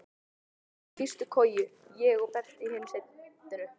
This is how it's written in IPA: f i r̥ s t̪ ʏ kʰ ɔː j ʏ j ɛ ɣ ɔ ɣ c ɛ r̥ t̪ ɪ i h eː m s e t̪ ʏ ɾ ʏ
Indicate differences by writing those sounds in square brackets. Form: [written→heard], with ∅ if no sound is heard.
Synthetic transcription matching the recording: f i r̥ s t̪ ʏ kʰ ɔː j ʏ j ɛ ɣ ɔ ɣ [c→p] ɛ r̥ t̪ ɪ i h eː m s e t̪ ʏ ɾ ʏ